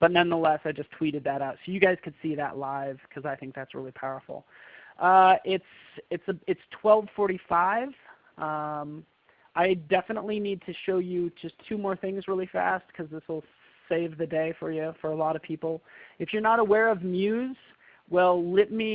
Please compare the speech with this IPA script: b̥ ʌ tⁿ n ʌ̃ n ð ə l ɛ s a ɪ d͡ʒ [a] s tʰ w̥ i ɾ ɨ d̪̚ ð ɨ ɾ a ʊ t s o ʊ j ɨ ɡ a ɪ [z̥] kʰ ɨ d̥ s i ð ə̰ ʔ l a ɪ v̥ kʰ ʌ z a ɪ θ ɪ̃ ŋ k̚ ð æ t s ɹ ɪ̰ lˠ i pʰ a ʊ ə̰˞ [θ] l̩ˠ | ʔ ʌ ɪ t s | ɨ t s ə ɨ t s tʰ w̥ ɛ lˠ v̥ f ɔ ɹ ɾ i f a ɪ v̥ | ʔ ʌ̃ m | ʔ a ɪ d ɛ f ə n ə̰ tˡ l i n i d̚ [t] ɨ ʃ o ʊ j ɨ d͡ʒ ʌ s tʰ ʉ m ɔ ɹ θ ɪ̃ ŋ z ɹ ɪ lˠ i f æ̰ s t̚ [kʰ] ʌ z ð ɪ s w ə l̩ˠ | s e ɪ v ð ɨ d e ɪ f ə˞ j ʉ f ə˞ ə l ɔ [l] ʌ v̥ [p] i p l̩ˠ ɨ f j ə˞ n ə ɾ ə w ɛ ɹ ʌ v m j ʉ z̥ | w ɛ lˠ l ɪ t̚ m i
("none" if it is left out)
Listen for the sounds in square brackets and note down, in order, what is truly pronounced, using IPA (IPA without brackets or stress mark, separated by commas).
ʌ, z̥, f, tʰ, kʰ, ɾ, pʰ